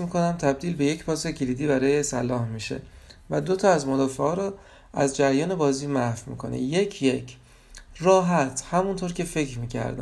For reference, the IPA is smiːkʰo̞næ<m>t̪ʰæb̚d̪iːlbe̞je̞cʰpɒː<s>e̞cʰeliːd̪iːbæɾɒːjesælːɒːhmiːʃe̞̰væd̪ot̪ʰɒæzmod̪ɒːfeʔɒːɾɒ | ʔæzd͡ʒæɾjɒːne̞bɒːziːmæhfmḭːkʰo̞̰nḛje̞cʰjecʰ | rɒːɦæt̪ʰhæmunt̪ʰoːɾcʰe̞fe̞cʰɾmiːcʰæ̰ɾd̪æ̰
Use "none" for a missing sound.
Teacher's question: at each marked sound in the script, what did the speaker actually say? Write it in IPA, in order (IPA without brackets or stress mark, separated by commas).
m, s